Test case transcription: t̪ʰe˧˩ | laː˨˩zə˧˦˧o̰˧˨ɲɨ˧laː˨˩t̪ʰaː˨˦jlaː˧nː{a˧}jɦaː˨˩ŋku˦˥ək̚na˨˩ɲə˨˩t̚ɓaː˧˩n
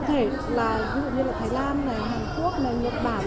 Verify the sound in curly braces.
incorrect: a˨˩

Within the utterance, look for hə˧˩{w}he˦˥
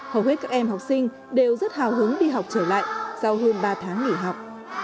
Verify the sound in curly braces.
correct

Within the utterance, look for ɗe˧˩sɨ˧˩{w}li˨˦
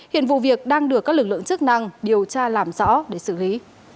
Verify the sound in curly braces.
incorrect: none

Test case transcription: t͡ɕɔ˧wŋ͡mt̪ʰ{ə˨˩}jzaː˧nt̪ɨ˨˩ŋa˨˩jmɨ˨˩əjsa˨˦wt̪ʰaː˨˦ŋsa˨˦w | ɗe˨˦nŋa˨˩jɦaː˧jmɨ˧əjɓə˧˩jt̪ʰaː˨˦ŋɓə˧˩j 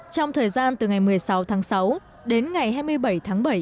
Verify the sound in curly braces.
incorrect: əː˨˩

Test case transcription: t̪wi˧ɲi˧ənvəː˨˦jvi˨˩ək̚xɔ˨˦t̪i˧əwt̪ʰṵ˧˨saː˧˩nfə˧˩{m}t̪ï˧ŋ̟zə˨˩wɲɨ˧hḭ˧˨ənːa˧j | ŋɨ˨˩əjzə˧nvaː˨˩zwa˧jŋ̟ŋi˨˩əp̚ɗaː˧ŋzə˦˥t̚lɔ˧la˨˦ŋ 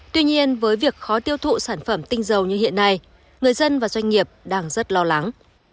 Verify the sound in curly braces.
correct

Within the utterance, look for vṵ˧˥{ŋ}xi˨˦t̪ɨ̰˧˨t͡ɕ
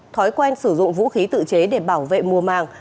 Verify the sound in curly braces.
incorrect: none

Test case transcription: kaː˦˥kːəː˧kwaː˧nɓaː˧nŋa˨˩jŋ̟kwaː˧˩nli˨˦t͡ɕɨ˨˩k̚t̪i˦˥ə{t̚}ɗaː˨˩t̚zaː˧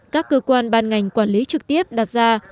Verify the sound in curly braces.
incorrect: p̚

